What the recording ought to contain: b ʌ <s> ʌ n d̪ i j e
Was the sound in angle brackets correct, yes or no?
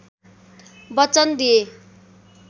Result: no